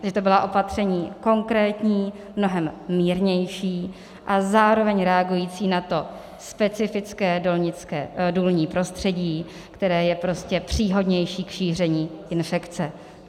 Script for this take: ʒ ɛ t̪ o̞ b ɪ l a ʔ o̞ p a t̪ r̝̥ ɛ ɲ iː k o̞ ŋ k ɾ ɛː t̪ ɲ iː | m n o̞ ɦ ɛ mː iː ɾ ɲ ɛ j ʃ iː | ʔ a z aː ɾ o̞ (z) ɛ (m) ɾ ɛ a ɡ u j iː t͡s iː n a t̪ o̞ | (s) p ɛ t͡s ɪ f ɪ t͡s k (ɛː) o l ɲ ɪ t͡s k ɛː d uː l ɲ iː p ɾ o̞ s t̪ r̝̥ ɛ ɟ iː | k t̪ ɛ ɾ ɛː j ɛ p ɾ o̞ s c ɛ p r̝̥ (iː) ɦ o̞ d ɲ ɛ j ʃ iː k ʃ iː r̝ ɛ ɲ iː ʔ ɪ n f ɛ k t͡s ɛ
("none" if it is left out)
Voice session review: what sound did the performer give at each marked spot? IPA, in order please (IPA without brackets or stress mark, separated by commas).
v, ɲ, s, ɛː, iː